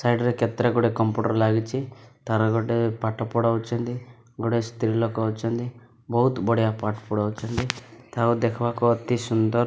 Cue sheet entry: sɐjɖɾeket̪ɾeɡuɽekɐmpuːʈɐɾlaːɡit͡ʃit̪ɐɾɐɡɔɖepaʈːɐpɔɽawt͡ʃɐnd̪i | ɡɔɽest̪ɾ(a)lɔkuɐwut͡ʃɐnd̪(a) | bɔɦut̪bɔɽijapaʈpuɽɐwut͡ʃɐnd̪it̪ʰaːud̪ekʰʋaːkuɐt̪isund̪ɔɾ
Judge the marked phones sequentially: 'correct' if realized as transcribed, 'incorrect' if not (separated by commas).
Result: incorrect, incorrect